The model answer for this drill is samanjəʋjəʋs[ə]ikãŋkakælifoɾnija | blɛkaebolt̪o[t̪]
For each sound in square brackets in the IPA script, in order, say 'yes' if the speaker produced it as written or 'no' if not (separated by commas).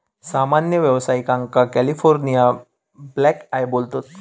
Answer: no, yes